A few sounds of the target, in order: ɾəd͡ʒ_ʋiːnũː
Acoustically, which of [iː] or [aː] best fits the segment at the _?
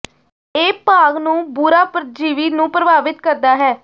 iː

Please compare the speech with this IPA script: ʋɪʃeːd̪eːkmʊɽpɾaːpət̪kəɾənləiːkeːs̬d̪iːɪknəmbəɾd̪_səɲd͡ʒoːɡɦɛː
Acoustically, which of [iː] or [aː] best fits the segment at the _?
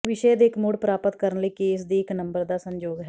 aː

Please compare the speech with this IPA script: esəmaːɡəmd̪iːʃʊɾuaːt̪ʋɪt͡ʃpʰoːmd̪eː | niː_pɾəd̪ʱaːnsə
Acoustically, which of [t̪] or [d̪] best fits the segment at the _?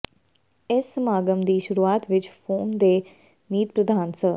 t̪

